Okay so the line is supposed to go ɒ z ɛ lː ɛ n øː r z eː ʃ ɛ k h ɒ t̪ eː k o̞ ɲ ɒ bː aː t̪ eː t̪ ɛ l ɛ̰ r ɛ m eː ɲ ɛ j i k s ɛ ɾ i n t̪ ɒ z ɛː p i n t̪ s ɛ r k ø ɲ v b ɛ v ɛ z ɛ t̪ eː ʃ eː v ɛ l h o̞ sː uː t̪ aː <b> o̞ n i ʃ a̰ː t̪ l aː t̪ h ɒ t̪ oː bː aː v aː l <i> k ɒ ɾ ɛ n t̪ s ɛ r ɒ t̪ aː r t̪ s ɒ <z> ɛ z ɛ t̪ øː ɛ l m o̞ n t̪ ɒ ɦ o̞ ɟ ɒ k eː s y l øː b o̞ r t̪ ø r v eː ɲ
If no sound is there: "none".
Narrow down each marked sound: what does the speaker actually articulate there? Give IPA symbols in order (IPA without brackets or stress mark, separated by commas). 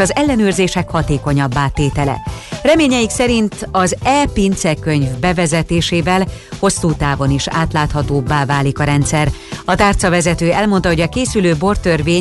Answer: v, i, v